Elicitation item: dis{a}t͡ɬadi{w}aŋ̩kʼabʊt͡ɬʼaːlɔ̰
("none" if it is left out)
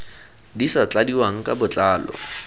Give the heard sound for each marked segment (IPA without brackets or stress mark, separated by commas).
a, w